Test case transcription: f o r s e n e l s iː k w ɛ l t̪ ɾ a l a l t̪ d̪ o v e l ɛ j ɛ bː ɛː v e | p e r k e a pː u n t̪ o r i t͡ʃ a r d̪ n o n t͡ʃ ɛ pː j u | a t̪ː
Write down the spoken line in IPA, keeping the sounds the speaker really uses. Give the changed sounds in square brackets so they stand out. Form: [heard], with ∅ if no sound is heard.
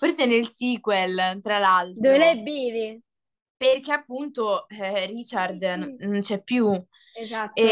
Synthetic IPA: f o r s e n e l s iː k w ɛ l t̪ ɾ a l a l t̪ d̪ o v e l ɛ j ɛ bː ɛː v e | p e r k e a pː u n t̪ o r i t͡ʃ a r d̪ n o n t͡ʃ ɛ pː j u | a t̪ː